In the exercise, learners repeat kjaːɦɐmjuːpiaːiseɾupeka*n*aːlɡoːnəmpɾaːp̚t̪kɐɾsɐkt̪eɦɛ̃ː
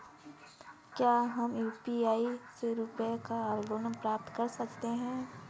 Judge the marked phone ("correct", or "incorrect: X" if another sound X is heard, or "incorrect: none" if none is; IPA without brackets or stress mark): incorrect: none